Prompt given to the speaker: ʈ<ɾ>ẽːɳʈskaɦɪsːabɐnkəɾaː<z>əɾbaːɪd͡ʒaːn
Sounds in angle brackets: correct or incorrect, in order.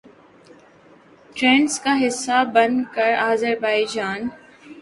correct, correct

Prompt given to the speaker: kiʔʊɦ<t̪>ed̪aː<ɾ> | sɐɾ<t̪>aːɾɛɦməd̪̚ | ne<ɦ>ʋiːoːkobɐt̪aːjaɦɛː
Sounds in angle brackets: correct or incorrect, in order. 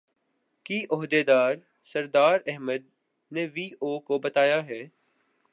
incorrect: d̪, correct, incorrect: d̪, incorrect: none

